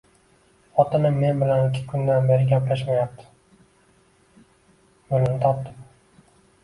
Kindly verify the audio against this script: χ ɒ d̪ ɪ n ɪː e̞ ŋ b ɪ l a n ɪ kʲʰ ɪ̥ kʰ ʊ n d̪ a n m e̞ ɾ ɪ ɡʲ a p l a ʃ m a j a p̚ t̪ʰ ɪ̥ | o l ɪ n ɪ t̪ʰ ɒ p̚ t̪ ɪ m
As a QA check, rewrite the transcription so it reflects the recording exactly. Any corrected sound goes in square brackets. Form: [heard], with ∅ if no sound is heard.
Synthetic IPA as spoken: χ ɒ [t̪] ɪ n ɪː e̞ [n] b ɪ l a n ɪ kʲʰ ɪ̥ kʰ ʊ n d̪ a n [b] e̞ ɾ ɪ ɡʲ a p l a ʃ m a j a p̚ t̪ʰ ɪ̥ | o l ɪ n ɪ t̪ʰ ɒ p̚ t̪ ɪ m